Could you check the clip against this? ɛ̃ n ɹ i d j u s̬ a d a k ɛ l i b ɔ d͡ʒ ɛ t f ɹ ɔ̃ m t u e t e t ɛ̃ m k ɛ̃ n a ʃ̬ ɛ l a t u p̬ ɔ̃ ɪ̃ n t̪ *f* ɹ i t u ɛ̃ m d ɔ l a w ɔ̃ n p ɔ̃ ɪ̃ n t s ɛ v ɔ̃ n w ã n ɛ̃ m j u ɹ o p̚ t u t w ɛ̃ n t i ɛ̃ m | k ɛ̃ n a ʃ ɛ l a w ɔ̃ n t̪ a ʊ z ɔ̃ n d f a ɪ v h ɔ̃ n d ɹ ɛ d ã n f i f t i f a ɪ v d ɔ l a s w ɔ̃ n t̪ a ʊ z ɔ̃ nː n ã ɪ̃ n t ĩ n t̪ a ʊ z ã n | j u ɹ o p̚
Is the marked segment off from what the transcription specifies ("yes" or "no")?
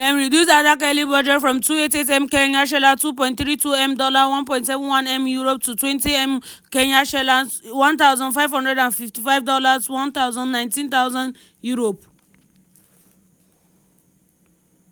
yes